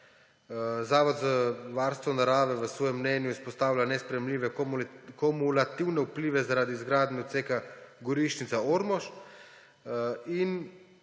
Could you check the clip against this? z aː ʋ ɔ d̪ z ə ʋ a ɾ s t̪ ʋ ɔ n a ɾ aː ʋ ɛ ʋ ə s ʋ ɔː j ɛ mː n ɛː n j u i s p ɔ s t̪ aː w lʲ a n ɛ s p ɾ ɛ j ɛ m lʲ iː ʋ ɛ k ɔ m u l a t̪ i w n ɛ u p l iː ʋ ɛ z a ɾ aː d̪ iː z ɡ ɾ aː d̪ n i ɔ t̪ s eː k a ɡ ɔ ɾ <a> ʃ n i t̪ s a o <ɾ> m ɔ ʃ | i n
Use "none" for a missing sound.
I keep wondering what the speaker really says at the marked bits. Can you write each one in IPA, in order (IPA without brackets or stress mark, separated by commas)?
i, ɾ